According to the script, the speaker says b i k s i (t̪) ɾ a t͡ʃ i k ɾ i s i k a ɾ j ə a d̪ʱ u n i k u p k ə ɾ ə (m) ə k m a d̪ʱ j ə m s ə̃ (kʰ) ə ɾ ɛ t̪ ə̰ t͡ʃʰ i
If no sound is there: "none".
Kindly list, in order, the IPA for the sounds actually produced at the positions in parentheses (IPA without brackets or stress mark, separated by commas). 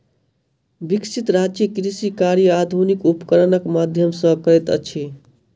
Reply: t̪, n, k